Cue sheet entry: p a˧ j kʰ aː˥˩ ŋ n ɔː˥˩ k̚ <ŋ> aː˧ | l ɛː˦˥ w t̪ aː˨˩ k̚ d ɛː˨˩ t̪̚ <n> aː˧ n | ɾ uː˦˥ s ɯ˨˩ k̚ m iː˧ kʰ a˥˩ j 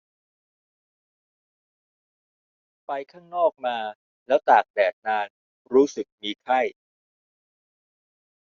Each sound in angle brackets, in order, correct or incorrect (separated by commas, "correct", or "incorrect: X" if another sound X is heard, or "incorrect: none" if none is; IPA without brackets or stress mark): incorrect: m, correct